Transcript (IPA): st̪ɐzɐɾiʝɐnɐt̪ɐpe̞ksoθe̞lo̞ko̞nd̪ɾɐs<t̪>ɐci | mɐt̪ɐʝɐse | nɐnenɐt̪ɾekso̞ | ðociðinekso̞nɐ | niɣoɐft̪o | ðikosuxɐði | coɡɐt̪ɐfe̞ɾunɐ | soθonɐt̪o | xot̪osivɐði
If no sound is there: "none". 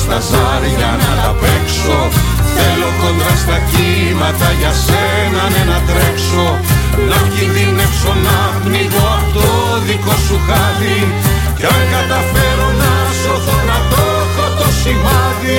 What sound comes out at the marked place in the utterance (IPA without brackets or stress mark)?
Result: t̪